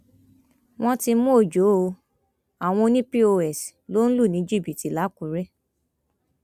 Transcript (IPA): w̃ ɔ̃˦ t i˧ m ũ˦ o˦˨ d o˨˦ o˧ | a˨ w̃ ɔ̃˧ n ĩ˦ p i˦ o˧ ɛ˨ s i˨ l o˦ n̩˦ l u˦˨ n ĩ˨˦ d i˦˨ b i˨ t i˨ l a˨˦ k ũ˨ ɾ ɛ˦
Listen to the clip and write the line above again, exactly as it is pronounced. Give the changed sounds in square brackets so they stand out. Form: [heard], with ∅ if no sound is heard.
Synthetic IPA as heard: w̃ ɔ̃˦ t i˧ m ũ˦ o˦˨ [d͡ʒ] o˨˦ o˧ | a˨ w̃ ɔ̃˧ n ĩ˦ p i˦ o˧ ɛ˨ s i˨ l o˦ n̩˦ l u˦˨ n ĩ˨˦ [d͡ʒ] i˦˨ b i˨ t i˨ l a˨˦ k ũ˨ ɾ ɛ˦